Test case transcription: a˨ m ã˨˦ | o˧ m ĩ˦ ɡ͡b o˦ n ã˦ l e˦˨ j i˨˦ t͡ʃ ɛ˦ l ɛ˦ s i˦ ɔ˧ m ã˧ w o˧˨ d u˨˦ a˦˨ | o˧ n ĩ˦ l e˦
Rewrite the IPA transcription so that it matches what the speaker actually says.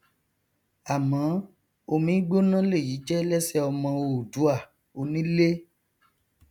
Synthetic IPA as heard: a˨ m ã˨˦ | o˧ m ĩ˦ ɡ͡b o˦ n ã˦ l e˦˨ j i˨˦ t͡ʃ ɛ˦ l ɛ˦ s ɛ˦ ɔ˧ m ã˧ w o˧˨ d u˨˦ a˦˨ | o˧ n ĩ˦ l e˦